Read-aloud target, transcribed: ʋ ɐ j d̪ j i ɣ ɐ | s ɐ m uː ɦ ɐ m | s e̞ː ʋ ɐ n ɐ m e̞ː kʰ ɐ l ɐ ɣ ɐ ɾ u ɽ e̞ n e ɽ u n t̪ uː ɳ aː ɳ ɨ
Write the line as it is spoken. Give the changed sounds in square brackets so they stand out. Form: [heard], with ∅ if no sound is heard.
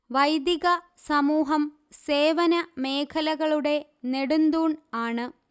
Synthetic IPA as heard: ʋ ɐ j d̪ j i ɣ ɐ | s ɐ m uː ɦ ɐ m | s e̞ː ʋ ɐ n ɐ m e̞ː kʰ ɐ l ɐ ɣ ɐ [ɭ] u ɽ e̞ n e ɽ u n [d̪] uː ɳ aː ɳ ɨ